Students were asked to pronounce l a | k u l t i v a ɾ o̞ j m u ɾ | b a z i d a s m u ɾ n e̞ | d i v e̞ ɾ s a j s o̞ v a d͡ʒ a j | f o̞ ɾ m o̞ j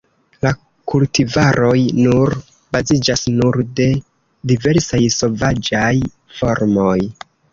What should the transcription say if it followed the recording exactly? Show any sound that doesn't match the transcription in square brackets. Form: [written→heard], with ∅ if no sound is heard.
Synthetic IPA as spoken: l a | k u l t i v a ɾ o̞ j [m→n] u ɾ | b a z i [d→d͡ʒ] a s [m→n] u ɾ [n→d] e̞ | d i v e̞ ɾ s a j s o̞ v a d͡ʒ a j | f o̞ ɾ m o̞ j